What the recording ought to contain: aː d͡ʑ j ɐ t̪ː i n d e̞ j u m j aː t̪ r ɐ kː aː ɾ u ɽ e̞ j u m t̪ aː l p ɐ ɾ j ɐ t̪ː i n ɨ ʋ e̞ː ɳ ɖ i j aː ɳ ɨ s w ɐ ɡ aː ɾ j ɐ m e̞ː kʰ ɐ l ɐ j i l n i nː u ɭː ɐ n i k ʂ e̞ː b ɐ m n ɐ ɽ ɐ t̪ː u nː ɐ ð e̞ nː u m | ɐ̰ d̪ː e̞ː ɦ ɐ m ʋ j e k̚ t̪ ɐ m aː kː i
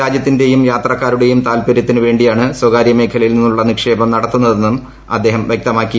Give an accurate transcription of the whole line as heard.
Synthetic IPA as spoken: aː d͡ʑ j ɐ t̪ː i n d e̞ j u m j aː t̪ r ɐ kː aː ɾ u ɽ e̞ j u m t̪ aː l p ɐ ɾ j ɐ t̪ː i n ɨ ʋ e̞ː ɳ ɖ i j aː ɳ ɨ s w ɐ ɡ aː ɾ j ɐ m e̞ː kʰ ɐ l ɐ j i l n i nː u ɭː ɐ n i k ʂ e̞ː b ɐ m n ɐ ɽ ɐ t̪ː u nː ɐ ð e̞ nː u m | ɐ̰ d̪ː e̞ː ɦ ɐ m ʋ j e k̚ t̪ ɐ m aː kː i